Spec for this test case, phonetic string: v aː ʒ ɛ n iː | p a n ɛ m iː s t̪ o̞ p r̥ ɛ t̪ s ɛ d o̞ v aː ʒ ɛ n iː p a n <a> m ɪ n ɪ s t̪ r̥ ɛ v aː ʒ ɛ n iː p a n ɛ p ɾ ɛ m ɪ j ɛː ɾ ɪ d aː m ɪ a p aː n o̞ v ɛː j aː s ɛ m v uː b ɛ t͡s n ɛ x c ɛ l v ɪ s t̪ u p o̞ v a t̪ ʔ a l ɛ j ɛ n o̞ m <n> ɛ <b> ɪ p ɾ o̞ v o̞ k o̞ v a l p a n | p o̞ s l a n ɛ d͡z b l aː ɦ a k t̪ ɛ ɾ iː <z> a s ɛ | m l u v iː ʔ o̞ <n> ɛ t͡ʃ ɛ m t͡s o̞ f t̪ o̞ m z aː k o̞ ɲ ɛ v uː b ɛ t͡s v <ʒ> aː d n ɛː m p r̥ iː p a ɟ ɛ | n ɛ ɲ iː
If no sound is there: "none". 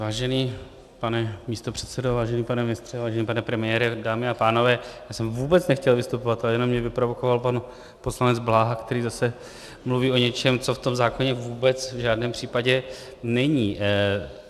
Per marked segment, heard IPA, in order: ɛ, ɲ, v, z, ɲ, ʒ

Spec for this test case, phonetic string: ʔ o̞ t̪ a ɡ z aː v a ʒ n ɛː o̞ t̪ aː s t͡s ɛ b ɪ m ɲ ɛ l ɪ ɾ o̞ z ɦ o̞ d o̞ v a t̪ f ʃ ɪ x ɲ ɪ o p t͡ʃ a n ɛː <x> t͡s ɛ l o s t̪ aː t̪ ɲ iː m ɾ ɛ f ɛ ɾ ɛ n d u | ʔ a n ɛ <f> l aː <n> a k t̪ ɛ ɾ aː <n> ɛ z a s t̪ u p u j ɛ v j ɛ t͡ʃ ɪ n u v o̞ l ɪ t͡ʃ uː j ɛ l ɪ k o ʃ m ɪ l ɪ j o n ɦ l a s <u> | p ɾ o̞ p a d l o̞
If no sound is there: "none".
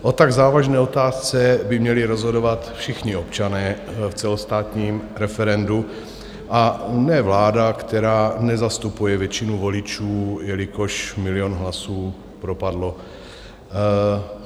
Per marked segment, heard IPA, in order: f, v, d, n, uː

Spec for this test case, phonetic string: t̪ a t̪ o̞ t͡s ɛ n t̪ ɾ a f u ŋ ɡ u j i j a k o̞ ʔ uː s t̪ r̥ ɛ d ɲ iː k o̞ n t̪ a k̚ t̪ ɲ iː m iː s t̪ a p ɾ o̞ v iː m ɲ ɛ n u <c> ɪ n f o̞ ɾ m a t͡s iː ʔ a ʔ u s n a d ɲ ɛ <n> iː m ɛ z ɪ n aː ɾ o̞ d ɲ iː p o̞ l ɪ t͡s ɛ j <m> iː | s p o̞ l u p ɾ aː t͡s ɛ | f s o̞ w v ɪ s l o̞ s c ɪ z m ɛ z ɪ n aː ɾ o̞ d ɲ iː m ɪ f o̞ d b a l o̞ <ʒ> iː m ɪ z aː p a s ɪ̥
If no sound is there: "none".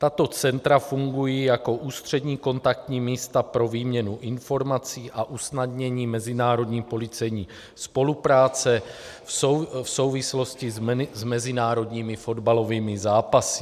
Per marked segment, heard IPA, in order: ʔ, ɲ, ɲ, v

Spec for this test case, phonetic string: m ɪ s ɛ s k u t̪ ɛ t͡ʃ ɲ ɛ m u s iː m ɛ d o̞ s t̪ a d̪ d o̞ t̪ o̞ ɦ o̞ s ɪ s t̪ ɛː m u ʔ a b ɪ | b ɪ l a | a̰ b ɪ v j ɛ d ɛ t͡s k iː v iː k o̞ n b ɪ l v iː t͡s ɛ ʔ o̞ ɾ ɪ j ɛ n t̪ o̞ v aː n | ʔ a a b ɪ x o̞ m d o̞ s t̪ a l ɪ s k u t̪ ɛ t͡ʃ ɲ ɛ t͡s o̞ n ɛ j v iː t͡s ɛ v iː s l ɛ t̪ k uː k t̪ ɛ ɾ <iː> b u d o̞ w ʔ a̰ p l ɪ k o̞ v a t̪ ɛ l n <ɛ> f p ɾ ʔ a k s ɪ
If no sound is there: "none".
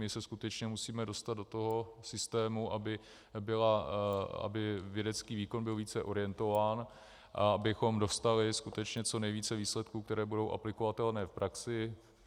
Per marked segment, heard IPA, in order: ɛː, ɛː

